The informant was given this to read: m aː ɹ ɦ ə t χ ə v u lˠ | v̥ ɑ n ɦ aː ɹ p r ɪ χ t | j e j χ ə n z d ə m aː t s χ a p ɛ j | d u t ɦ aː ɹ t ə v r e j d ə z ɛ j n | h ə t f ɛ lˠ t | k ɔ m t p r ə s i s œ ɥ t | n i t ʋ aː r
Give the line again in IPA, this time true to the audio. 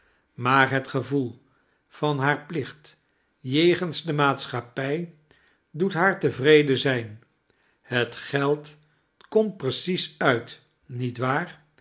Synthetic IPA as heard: m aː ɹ ɦ ə t χ ə v u lˠ | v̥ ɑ n ɦ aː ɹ p l ɪ χ t | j e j χ ə n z d ə m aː t s χ a p ɛ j | d u t ɦ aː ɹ t ə v r e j d ə z ɛ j n | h ə t χ ɛ lˠ t | k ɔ m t p r ə s i s œ ɥ t | n i t ʋ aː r